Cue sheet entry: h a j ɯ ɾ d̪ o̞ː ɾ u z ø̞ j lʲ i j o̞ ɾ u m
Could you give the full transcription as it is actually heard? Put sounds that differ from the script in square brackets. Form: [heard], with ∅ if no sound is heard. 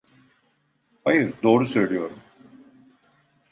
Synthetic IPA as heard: h a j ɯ ɾ d̪ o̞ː ɾ u [s] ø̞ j lʲ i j o̞ ɾ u m